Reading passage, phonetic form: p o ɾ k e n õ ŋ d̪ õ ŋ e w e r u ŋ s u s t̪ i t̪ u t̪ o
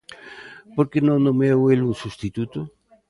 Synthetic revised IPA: p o ɾ k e n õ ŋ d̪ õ m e w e l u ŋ s u s t̪ i t̪ u t̪ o